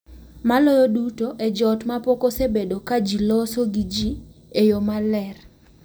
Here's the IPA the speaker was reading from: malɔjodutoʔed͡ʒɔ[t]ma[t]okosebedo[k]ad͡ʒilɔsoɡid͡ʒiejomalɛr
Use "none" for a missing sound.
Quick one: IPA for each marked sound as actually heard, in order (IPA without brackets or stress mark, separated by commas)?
t, p, k